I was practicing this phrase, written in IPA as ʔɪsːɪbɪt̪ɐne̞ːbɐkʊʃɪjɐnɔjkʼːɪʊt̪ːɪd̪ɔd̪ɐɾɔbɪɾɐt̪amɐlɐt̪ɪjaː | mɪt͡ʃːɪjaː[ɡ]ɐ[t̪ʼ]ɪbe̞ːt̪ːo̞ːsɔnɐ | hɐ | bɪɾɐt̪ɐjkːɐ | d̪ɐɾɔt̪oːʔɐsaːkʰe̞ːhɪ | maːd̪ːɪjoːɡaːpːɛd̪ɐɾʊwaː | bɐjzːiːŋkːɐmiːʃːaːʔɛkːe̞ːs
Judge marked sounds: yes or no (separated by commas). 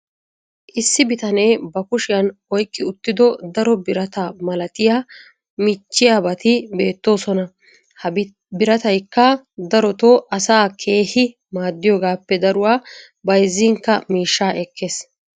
no, no